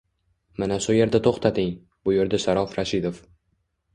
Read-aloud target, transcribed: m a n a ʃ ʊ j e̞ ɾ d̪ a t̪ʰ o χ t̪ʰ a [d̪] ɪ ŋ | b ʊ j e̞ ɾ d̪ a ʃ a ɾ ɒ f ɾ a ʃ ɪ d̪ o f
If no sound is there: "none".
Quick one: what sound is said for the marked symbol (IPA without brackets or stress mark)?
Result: t̪